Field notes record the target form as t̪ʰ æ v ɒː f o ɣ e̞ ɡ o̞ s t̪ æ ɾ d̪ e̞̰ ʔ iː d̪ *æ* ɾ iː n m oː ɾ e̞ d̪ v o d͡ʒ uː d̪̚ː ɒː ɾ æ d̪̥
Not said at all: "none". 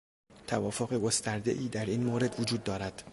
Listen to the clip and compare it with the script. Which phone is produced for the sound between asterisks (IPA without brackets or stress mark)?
æ